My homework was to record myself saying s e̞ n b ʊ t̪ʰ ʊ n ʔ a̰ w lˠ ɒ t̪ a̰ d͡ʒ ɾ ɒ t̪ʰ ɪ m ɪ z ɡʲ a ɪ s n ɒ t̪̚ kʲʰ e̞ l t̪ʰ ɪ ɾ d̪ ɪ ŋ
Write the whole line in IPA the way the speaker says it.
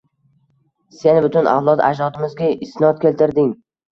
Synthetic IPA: s e̞ n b ʊ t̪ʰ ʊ n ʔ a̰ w lˠ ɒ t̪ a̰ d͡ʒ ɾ ɒ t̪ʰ ɪ m ɪ z ɡʲ a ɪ s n ɒ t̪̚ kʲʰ e̞ l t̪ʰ ɪ ɾ d̪ ɪ ŋ